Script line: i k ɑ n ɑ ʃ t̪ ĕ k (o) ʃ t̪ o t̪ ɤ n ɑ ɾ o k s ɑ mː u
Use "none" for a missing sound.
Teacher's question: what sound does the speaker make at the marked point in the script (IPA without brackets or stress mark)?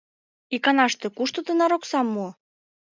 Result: u